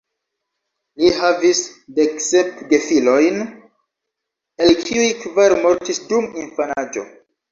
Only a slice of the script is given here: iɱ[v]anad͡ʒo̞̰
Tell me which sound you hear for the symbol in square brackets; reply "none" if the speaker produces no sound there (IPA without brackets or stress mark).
f